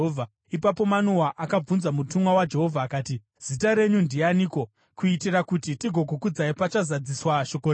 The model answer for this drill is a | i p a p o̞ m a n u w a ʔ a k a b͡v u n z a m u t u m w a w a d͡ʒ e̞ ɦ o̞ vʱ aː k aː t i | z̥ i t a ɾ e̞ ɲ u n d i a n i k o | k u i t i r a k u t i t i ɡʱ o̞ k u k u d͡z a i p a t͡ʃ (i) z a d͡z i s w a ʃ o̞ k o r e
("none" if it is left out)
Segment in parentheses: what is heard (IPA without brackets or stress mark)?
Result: a